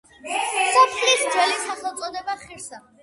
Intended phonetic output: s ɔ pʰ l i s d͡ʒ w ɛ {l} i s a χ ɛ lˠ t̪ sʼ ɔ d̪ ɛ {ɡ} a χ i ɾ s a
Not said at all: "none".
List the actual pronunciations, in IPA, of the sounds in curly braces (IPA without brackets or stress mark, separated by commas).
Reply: l, b